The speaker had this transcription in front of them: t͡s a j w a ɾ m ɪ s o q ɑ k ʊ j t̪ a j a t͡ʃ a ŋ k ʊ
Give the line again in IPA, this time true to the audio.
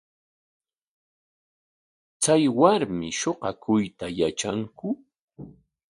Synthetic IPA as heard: t͡s a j w a ɾ m ɪ ʃ o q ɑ k ʊ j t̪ a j a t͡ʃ a ŋ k ʊ